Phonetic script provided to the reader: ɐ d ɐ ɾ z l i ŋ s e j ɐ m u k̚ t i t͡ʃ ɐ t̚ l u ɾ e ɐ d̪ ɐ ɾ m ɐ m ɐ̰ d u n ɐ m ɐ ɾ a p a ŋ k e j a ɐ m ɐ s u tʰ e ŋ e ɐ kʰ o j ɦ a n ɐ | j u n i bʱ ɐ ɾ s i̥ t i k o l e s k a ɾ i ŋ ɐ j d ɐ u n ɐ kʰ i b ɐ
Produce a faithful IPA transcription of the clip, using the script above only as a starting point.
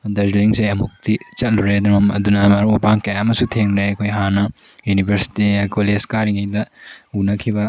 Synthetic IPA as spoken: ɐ d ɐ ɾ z l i ŋ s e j ɐ m u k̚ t i t͡ʃ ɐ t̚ l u ɾ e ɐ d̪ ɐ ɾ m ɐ m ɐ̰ d u n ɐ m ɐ ɾ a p a ŋ k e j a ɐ m ɐ s u tʰ e ŋ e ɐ kʰ o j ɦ a n ɐ | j u n i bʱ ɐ ɾ s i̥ t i k o l e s k a ɾ i ŋ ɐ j d ɐ u n ɐ kʰ i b ɐ